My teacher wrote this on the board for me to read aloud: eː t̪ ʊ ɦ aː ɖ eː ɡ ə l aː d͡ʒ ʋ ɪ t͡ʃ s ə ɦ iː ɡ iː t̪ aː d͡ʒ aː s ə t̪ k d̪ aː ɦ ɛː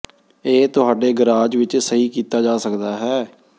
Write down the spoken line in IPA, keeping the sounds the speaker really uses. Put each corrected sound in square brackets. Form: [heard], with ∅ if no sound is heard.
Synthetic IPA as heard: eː t̪ ʊ ɦ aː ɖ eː ɡ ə [ɾ] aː d͡ʒ ʋ ɪ t͡ʃ s ə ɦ iː [k] iː t̪ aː d͡ʒ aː s ə [∅] k d̪ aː ɦ ɛː

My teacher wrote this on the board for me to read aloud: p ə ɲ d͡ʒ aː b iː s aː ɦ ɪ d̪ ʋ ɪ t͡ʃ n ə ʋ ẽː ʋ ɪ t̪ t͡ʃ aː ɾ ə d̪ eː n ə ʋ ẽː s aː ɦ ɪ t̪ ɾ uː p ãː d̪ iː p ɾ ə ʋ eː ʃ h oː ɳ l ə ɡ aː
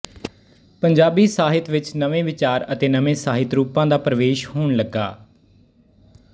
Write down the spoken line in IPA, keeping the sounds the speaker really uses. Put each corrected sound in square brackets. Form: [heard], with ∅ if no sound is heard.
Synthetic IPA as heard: p ə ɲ d͡ʒ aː b iː s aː ɦ ɪ [t̪] ʋ ɪ t͡ʃ n ə ʋ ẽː ʋ ɪ [∅] t͡ʃ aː ɾ ə [t̪] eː n ə ʋ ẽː s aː ɦ ɪ t̪ ɾ uː p ãː d̪ [aː] p ɾ ə ʋ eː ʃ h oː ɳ l ə ɡ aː

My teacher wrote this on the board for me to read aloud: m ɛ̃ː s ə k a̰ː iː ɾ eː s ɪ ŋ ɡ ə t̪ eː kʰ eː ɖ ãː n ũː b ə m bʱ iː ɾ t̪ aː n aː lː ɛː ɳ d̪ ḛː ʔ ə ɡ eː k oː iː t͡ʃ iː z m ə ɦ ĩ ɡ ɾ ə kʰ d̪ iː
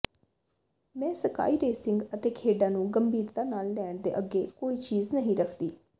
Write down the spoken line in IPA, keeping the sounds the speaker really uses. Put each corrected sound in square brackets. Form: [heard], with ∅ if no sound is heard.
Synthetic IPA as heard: m ɛ̃ː s ə k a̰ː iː ɾ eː s ɪ ŋ ɡ ə t̪ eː kʰ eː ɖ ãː n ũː [ɡ] ə m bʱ iː ɾ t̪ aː n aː lː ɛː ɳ d̪ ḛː ʔ ə ɡ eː k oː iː t͡ʃ iː z [n] ə ɦ ĩ [∅] ɾ ə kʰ d̪ iː

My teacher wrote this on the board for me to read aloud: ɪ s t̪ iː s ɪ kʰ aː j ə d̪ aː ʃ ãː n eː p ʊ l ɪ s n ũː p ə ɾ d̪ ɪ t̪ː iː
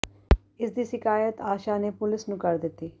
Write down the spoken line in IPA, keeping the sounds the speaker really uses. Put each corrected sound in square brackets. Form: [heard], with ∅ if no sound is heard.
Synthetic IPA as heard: ɪ s [d̪] iː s ɪ [k] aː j ə [t̪] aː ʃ [aː] n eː p ʊ l ɪ s n ũː [k] ə ɾ d̪ ɪ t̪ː iː

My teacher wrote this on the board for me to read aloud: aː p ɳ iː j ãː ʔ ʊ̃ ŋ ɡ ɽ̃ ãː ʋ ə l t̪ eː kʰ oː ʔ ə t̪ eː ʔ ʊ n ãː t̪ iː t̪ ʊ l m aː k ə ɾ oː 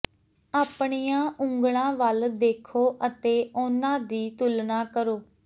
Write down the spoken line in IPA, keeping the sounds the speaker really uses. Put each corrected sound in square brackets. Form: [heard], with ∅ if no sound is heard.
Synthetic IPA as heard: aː p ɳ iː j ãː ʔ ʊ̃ ŋ ɡ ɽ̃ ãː ʋ ə l [d̪] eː kʰ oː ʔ ə t̪ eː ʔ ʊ n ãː [d̪] iː t̪ ʊ l [n] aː k ə ɾ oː

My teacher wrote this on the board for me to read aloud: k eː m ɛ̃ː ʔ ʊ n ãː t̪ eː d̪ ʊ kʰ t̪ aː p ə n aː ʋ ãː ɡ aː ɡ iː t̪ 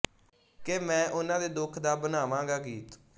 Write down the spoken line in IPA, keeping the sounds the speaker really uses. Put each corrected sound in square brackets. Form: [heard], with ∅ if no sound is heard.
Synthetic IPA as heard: k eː m ɛ̃ː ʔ ʊ n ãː [d̪] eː d̪ ʊ kʰ [d̪] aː [b] ə n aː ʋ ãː ɡ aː ɡ iː t̪

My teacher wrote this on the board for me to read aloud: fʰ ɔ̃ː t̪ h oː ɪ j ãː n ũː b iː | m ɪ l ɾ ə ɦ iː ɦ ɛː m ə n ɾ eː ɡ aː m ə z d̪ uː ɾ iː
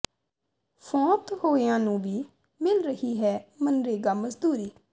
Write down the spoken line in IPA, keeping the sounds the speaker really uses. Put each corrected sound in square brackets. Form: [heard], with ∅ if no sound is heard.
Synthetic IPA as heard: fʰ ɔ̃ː t̪ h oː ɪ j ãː n ũː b iː | m ɪ l ɾ ə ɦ iː ɦ ɛː m ə n ɾ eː ɡ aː m ə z d̪ uː ɾ iː

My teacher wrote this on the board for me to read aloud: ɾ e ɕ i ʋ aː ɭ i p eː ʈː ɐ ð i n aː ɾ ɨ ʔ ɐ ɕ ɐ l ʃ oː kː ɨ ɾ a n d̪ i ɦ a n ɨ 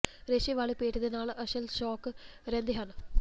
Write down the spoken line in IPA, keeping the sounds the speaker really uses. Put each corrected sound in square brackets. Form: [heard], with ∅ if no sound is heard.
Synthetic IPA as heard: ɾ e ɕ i ʋ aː ɭ i p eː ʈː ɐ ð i n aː [ɭ] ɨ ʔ ɐ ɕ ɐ l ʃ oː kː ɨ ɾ [e] n d̪ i ɦ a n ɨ

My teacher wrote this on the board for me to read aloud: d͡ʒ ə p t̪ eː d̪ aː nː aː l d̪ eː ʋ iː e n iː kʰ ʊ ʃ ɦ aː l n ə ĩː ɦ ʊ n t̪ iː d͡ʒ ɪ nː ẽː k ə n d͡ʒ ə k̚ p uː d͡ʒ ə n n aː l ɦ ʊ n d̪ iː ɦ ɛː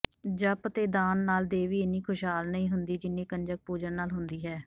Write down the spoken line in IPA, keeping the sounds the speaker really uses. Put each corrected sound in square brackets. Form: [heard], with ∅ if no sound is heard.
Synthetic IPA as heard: d͡ʒ ə p t̪ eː d̪ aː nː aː l d̪ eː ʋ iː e n iː kʰ ʊ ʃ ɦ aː l n ə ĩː ɦ ʊ n [d̪] iː d͡ʒ ɪ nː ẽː k ə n d͡ʒ ə k̚ p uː d͡ʒ ə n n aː l ɦ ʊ n d̪ iː ɦ ɛː

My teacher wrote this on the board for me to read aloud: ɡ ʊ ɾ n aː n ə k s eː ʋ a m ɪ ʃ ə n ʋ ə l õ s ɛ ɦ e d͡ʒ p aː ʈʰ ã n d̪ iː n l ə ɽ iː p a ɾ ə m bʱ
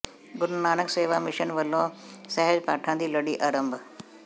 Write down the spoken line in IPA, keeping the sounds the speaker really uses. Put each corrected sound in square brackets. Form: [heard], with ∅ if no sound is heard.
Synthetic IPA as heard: ɡ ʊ ɾ n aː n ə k s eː ʋ a m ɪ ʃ ə n ʋ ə l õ s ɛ ɦ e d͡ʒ p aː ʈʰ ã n d̪ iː [∅] l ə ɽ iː [ʔ] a ɾ ə m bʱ

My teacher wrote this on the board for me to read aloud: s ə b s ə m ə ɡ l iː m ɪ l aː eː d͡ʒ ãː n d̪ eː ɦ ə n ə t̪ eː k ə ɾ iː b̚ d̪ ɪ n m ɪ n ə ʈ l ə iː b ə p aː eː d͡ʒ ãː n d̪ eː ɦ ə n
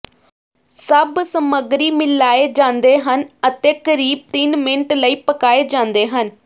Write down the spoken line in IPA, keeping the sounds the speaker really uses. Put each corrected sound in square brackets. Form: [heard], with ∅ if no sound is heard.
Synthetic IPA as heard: s ə b s ə m ə ɡ [ɾ] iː m ɪ l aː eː d͡ʒ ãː n d̪ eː ɦ ə n ə t̪ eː k ə ɾ iː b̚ [t̪] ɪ n m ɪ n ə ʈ l ə iː [p] ə [k] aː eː d͡ʒ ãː n d̪ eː ɦ ə n

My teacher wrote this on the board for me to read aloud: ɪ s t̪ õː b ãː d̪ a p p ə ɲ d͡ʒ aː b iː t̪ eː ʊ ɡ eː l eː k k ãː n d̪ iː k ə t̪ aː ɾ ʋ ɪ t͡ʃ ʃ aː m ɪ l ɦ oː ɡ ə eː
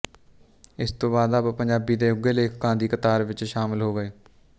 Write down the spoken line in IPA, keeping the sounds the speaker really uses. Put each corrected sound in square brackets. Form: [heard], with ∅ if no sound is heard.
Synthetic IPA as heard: ɪ s t̪ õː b [aː] d̪ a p p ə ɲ d͡ʒ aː b iː [d̪] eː ʊ ɡ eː l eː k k ãː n d̪ iː k ə t̪ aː ɾ ʋ ɪ t͡ʃ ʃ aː m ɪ l ɦ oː ɡ ə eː

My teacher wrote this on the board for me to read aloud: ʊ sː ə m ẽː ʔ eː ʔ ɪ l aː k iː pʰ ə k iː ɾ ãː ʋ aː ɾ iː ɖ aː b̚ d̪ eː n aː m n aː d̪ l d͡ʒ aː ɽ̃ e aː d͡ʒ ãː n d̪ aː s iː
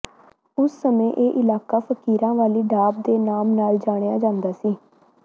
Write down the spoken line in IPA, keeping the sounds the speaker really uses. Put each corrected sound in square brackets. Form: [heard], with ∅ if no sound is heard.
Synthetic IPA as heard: ʊ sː ə m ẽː ʔ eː ʔ ɪ l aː k [aː] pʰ ə k iː ɾ ãː ʋ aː [l] iː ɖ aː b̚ d̪ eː n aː m n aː [∅] l d͡ʒ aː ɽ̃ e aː d͡ʒ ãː n d̪ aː s iː

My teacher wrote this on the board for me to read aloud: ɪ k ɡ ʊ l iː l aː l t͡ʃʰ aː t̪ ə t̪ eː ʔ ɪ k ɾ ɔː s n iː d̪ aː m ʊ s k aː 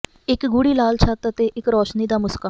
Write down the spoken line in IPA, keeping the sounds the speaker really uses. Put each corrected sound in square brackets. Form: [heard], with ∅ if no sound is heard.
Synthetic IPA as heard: ɪ k ɡ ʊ [ɽ] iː l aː l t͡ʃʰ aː t̪ ə t̪ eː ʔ ɪ k ɾ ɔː [ʃ] n iː d̪ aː m ʊ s k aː

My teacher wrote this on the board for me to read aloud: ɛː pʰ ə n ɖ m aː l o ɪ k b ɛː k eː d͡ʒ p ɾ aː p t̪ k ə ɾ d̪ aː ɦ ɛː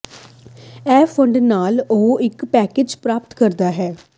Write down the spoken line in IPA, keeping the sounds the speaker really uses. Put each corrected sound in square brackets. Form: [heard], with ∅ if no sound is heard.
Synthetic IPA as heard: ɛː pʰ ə [ɳ] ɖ [n] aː l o ɪ k [p] ɛː k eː d͡ʒ p ɾ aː p t̪ k ə ɾ d̪ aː ɦ ɛː

